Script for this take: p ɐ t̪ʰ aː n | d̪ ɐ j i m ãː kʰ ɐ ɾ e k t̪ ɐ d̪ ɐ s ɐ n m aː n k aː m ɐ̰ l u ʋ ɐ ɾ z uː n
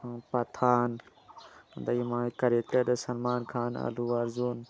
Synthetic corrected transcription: p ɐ t̪ʰ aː n | d̪ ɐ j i m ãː k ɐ ɾ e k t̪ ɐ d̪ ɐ s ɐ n m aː n kʰ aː n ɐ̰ l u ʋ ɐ ɾ z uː n